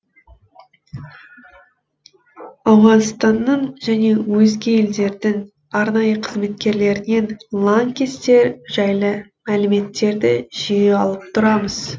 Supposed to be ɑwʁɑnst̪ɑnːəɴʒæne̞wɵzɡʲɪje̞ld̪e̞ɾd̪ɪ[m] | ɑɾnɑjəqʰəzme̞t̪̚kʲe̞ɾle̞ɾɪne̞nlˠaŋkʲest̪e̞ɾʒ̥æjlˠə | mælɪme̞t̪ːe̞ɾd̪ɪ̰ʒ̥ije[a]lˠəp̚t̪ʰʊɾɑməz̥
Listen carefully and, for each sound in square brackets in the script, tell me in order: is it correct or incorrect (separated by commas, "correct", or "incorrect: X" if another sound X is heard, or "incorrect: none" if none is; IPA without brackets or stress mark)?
incorrect: ŋ, incorrect: ɑ